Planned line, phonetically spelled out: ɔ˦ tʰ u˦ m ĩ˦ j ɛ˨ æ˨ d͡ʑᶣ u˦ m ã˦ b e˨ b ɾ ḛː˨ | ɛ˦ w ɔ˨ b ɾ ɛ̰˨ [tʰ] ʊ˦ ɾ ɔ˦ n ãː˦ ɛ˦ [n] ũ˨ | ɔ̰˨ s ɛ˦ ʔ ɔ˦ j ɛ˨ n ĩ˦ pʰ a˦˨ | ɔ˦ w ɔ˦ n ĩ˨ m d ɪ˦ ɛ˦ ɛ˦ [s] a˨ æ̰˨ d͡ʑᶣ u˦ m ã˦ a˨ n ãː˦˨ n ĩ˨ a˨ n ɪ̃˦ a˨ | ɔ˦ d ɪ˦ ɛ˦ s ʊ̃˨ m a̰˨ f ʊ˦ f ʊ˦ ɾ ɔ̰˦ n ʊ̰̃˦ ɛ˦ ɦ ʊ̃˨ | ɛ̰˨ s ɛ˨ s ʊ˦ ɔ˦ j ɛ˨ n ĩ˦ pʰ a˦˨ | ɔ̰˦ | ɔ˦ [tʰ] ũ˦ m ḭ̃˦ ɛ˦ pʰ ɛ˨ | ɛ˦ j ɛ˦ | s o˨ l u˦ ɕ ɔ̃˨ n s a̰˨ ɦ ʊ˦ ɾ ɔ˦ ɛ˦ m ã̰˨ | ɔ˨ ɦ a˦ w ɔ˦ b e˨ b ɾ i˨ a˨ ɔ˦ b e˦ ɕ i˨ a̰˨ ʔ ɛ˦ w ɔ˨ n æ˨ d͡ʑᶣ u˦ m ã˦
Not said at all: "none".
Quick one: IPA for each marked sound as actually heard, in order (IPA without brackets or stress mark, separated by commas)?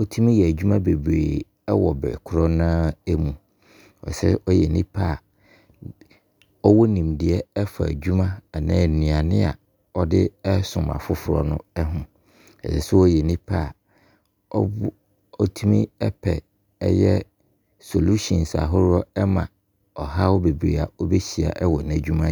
kʰ, m, f, tʰ